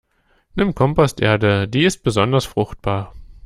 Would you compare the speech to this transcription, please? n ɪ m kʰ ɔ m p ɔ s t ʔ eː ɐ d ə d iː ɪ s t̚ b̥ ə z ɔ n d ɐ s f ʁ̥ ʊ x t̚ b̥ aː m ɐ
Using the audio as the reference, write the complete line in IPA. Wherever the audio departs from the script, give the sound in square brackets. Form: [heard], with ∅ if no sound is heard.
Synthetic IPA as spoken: n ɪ m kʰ ɔ m p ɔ s t ʔ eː ɐ d ə d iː ɪ s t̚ b̥ ə z ɔ n d ɐ s f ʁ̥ ʊ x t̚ b̥ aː [∅] ɐ